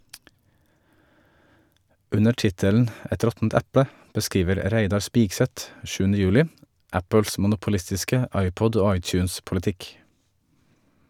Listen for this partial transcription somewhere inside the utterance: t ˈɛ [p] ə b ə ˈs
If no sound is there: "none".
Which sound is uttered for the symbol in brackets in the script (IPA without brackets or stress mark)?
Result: p